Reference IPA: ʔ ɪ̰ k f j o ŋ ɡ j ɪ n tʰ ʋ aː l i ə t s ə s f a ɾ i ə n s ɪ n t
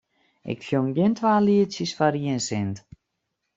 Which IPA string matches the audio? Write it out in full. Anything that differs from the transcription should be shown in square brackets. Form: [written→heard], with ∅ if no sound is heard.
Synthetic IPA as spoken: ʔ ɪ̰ k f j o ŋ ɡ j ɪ n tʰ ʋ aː l i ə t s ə s f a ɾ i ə n s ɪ n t